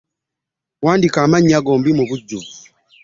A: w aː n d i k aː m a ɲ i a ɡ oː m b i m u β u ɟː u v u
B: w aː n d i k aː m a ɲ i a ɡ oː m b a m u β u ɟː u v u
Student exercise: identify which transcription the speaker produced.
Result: A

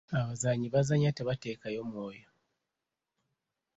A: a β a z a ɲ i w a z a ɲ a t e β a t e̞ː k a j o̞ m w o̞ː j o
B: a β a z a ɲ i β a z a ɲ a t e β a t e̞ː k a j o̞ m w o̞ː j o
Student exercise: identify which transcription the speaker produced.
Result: B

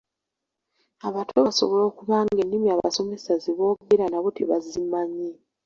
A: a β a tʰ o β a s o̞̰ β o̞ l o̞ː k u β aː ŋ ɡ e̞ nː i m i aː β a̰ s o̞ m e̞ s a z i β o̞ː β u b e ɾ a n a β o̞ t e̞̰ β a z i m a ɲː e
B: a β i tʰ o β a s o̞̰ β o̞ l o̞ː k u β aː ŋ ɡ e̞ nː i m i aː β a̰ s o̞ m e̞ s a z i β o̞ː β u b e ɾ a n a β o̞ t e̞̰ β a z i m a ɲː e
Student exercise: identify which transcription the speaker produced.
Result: A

